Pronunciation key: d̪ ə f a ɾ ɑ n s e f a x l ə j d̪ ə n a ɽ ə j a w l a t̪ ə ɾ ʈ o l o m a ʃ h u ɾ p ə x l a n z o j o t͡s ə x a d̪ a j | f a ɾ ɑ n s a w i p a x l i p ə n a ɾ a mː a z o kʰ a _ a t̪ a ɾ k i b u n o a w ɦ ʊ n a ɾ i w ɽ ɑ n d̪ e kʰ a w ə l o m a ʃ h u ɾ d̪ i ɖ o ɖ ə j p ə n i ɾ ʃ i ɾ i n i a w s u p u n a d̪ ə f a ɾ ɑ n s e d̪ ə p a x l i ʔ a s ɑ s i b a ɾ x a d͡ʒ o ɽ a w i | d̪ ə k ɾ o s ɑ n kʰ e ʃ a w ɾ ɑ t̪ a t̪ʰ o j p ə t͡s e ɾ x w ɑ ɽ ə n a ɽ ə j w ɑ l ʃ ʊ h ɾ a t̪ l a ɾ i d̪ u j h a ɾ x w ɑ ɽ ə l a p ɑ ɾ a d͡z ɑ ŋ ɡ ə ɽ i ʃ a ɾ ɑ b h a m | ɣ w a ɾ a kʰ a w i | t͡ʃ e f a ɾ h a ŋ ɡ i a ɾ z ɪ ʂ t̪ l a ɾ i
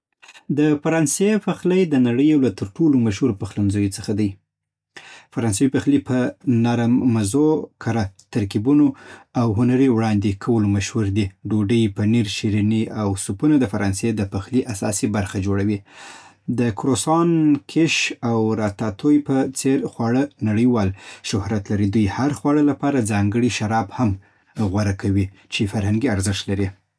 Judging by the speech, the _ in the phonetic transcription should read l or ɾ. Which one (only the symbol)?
ɾ